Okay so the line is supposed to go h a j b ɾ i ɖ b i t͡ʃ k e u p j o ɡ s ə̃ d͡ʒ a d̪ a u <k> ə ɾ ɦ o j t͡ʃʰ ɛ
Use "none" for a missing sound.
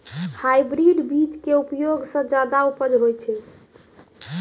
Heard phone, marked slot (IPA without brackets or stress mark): p